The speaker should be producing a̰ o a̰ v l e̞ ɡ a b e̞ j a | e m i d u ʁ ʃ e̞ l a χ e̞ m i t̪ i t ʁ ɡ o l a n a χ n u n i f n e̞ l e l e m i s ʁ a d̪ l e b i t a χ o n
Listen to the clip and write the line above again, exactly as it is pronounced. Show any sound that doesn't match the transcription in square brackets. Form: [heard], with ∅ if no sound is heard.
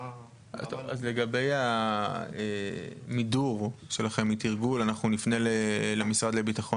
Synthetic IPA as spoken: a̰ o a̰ [z] l e̞ ɡ a b e̞ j a | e m i d u ʁ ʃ e̞ l a χ e̞ m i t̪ i [∅] ʁ ɡ [u] l a n a χ n u n i f n e̞ l e l e m i s ʁ a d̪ l e b i t a χ o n